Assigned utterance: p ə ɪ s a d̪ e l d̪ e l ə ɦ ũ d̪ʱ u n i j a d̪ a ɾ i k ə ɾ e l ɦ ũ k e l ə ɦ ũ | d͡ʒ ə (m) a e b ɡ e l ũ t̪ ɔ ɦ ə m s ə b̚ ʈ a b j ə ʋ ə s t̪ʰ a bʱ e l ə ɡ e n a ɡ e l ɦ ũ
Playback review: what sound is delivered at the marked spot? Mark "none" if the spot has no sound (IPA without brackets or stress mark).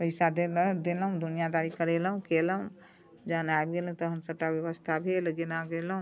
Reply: n